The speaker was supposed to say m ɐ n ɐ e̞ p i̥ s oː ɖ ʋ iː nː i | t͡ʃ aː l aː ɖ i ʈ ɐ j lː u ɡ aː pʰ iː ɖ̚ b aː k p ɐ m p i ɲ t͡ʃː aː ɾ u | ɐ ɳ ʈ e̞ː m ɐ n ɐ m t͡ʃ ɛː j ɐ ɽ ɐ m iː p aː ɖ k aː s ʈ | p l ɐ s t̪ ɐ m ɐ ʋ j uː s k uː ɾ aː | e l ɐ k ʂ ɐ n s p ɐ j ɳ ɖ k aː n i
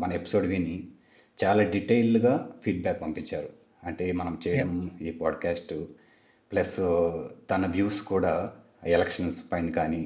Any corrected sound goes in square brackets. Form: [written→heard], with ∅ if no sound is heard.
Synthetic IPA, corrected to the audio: m ɐ n ɐ e̞ p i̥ s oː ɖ ʋ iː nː i | t͡ʃ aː l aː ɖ i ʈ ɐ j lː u ɡ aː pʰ iː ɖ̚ b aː k p ɐ m p i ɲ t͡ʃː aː ɾ u | ɐ ɳ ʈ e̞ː m ɐ n ɐ m t͡ʃ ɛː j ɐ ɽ ɐ m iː p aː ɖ k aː s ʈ | p l ɐ s t̪ ɐ [m→n] ɐ ʋ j uː s k uː [ɾ→ɽ] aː | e l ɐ k ʂ ɐ n s p ɐ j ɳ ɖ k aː n i